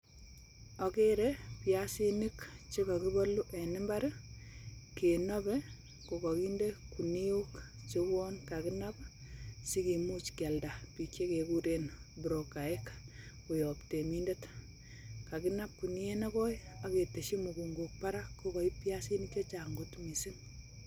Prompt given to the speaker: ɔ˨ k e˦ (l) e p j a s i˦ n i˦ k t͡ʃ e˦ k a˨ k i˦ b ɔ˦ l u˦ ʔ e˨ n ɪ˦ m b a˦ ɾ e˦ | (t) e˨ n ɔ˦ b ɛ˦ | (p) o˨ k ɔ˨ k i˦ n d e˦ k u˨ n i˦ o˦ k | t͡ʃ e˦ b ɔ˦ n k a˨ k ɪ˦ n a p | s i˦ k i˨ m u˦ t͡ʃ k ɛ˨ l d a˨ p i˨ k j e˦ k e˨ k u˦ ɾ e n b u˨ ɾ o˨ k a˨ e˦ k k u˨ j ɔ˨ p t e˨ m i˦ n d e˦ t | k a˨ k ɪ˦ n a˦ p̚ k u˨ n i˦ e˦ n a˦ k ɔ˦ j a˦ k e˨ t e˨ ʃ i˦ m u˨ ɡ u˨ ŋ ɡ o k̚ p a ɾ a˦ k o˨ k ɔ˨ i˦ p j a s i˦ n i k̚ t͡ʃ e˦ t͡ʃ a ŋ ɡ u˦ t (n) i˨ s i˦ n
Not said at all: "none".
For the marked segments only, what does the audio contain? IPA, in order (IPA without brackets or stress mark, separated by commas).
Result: ɾ, k, k, m